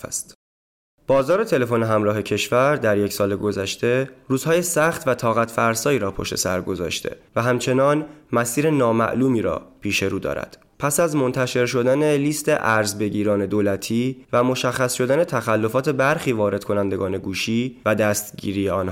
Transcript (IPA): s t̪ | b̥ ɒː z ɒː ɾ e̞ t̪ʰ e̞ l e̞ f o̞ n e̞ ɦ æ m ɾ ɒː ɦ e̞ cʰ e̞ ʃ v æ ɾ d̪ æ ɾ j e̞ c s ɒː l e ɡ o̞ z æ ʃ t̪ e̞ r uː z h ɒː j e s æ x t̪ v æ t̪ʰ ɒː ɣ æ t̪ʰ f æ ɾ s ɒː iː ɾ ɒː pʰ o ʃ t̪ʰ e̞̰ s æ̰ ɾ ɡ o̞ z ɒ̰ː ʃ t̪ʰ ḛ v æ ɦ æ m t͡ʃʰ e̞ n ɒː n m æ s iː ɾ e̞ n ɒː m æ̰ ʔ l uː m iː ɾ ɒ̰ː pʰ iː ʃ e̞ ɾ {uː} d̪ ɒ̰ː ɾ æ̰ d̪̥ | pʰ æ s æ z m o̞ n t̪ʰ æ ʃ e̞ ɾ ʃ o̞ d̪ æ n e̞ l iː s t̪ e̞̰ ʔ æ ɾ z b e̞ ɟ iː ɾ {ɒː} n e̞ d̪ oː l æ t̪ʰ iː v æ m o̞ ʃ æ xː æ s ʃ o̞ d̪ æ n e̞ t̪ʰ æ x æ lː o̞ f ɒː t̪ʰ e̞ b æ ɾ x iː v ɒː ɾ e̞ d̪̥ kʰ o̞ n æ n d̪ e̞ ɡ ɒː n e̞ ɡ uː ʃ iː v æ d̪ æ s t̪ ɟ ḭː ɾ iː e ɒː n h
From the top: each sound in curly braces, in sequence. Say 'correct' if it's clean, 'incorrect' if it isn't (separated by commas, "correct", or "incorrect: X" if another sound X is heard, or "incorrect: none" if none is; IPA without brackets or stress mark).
correct, correct